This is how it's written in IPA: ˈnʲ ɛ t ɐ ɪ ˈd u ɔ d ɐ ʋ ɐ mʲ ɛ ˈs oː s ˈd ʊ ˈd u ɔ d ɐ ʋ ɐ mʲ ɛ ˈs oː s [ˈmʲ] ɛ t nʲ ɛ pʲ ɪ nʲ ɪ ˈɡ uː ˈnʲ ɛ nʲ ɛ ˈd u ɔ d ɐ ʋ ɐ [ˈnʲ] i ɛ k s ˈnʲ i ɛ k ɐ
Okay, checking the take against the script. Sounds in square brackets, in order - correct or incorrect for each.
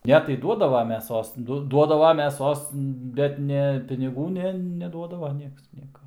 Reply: incorrect: bʲ, correct

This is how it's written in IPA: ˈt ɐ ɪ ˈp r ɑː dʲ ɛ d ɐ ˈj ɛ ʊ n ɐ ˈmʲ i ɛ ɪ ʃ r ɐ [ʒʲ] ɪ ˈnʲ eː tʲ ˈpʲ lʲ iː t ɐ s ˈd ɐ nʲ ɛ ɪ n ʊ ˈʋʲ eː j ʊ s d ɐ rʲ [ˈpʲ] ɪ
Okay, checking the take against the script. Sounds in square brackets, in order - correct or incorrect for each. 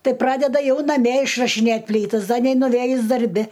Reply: incorrect: ʃʲ, incorrect: bʲ

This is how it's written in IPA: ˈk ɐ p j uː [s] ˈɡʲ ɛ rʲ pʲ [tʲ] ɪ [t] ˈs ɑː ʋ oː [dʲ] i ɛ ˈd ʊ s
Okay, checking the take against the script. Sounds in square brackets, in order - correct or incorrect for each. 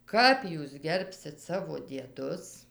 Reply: correct, incorrect: sʲ, correct, correct

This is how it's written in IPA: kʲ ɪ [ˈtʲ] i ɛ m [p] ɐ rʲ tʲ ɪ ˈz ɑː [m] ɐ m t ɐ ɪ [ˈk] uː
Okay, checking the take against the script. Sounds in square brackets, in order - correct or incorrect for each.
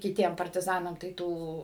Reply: correct, correct, incorrect: n, incorrect: t

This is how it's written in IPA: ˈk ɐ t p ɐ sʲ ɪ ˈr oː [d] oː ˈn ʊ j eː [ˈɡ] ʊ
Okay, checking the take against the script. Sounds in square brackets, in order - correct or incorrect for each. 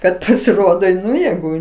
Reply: correct, correct

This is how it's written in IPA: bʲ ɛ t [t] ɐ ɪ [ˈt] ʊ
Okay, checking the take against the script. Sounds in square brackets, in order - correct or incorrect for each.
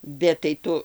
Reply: correct, correct

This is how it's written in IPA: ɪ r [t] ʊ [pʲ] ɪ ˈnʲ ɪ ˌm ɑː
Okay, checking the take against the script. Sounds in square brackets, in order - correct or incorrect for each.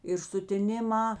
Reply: incorrect: s, incorrect: tʲ

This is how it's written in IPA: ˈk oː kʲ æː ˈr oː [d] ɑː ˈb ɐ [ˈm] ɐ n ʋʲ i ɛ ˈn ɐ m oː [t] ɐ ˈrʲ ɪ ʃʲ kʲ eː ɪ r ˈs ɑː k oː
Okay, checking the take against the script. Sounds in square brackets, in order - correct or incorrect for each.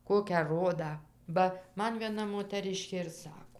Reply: correct, correct, correct

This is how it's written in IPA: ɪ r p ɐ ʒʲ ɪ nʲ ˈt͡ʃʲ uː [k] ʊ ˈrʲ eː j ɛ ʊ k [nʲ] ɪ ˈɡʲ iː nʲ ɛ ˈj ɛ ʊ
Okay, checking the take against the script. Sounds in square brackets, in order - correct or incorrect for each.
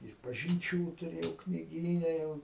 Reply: incorrect: t, correct

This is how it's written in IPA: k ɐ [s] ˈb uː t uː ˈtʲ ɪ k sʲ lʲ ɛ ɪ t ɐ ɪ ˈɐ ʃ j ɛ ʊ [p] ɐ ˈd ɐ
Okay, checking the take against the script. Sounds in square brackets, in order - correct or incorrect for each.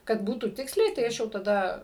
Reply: incorrect: t, incorrect: t

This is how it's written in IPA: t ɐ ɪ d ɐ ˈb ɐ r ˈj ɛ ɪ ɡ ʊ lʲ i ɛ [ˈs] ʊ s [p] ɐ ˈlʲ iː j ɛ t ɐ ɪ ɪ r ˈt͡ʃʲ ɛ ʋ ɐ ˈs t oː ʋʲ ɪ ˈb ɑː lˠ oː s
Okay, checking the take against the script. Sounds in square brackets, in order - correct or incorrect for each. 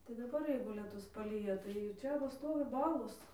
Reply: incorrect: t, correct

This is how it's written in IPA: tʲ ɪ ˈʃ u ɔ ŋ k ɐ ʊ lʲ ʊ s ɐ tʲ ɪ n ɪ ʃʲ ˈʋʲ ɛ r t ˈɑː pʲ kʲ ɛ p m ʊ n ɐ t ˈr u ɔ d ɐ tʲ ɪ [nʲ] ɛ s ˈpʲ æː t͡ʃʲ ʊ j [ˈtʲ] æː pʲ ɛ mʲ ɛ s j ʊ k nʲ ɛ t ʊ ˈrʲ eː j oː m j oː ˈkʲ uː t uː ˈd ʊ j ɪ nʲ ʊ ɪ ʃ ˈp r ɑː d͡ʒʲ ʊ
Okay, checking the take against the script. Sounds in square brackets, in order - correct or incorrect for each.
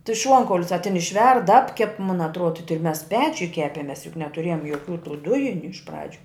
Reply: incorrect: mʲ, incorrect: kʲ

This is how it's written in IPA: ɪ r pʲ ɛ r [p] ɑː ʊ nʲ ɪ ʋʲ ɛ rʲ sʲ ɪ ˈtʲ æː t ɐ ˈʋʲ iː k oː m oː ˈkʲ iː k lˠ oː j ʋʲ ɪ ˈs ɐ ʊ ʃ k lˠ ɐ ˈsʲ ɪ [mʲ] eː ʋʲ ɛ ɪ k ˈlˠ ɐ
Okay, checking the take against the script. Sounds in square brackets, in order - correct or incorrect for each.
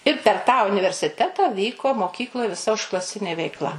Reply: incorrect: t, incorrect: nʲ

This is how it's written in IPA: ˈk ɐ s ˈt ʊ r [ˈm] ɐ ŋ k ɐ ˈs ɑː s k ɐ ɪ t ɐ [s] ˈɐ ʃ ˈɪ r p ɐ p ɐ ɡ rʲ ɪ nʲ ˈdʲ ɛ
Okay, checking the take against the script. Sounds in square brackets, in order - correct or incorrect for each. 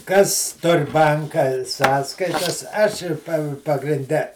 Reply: incorrect: b, correct

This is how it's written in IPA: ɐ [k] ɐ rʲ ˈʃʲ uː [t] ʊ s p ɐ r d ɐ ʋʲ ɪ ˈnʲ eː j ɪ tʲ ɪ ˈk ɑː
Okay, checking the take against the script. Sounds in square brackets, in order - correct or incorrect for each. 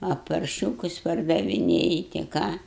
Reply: incorrect: p, incorrect: k

